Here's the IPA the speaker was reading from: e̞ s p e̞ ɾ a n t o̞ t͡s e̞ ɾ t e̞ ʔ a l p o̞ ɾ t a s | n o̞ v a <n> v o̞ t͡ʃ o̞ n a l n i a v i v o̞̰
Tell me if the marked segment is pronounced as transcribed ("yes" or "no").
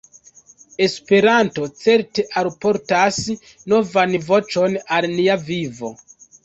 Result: yes